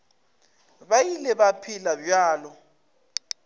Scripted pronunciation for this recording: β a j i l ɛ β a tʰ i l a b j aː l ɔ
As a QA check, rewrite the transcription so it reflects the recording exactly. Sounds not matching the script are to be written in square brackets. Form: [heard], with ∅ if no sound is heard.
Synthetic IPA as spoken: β a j i l ɛ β a [pʰ] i l a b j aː l ɔ

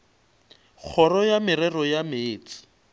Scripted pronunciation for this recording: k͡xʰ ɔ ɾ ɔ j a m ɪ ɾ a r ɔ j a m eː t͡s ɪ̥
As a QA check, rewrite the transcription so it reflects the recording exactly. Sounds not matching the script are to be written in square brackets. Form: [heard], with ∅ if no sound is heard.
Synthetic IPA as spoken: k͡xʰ ɔ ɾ ɔ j a m ɪ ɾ [ɛ] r ɔ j a m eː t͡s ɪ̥

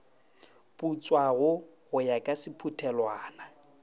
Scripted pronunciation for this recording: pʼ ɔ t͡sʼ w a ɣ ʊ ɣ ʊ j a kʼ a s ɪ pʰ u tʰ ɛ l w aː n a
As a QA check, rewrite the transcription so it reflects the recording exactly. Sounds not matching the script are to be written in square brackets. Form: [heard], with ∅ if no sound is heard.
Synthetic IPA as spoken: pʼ [u] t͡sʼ w a ɣ ʊ ɣ ʊ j a kʼ a s ɪ pʰ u tʰ ɛ l w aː n a

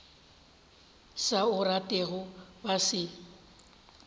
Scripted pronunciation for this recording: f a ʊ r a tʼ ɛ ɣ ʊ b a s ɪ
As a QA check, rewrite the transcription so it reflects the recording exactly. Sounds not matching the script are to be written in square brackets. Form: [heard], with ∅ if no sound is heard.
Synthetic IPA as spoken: [s] a ʊ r a tʼ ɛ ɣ ʊ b a s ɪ

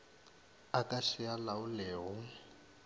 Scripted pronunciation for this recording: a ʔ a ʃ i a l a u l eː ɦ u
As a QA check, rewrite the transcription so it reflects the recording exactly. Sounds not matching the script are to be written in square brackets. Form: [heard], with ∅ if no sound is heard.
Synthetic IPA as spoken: a [k] a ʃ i a l a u l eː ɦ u

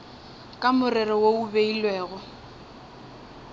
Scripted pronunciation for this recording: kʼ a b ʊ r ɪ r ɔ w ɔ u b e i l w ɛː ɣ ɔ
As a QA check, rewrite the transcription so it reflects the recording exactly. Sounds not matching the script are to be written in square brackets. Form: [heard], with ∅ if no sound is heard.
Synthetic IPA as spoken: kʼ a [m] ʊ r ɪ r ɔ w [o] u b e i l w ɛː ɣ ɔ

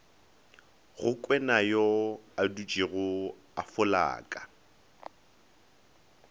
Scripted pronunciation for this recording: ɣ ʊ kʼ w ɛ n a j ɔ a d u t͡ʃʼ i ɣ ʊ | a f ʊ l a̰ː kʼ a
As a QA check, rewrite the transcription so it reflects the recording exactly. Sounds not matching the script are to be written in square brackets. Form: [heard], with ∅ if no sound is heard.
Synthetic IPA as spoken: ɣ ʊ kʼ w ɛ n a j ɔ a d u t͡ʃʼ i ɣ ʊ | a f ʊ l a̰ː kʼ a

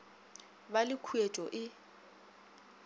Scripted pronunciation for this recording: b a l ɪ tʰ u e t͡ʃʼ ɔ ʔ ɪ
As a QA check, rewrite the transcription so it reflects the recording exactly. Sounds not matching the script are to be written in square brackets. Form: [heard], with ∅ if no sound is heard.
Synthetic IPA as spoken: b a l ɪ [kʰ] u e t͡ʃʼ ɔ ʔ ɪ

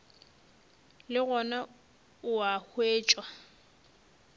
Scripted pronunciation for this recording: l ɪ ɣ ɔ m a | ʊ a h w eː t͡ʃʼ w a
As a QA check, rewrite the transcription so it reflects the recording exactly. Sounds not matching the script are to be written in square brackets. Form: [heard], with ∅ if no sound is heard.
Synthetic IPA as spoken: l ɪ ɣ ɔ [n] a | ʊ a h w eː t͡ʃʼ w a

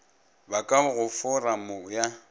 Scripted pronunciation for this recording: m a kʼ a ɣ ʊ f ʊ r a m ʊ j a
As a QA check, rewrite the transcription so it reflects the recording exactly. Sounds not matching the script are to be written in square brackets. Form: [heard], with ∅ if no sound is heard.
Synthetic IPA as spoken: [b] a kʼ a ɣ ʊ f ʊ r a m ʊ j a

